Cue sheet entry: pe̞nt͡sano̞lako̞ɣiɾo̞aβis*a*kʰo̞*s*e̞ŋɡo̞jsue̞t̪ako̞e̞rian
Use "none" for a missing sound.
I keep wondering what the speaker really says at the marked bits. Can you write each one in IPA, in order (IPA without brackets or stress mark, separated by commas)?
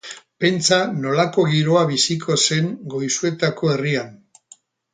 i, s